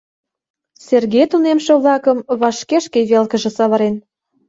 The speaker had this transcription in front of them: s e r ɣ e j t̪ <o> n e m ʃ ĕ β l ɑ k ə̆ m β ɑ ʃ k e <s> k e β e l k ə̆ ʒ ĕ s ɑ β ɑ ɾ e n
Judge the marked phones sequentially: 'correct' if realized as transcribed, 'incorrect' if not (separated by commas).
incorrect, incorrect